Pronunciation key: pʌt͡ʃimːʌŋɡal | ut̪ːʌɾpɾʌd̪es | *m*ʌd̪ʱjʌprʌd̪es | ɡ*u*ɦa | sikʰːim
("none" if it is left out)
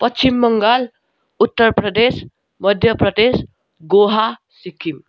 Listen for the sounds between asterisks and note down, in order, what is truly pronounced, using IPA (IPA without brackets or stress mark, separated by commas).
m, o